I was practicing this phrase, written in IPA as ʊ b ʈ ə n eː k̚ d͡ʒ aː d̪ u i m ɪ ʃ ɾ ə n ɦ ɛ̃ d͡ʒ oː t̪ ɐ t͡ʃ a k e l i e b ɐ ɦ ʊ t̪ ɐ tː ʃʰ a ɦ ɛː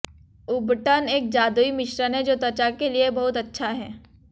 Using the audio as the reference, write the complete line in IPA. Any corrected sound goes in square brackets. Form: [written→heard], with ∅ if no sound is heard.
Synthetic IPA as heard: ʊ b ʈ ə n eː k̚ d͡ʒ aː d̪ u i m ɪ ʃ ɾ ə n ɦ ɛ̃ d͡ʒ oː t̪ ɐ t͡ʃ a k e l i e b ɐ ɦ ʊ t̪ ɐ tː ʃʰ a ɦ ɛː